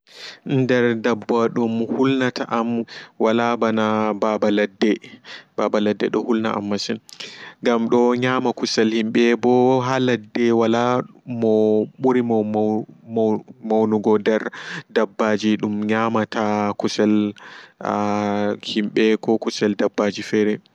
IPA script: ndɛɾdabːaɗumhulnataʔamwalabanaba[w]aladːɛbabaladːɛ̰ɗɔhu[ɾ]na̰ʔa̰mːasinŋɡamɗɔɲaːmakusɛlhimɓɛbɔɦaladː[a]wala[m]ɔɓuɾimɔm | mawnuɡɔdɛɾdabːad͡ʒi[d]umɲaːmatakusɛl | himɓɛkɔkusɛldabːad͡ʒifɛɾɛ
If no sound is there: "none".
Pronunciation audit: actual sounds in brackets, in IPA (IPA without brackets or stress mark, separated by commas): b, l, ɛ, m, ɗ